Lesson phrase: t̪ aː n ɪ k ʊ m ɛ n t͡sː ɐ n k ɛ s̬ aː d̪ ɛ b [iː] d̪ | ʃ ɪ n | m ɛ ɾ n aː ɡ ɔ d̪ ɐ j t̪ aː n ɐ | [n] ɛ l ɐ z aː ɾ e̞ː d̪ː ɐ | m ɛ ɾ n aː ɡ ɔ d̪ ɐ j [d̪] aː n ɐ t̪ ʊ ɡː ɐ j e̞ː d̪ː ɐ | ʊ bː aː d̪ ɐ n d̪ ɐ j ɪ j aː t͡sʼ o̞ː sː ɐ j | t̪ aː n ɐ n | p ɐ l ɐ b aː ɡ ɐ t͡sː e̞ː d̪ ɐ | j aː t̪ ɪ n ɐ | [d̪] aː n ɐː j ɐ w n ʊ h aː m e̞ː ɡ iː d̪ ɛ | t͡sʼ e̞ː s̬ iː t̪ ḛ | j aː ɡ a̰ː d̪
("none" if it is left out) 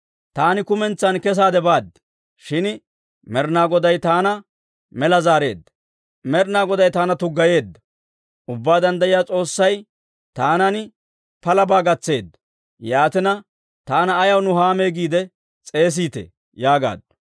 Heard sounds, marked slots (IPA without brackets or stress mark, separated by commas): aː, m, t̪, t̪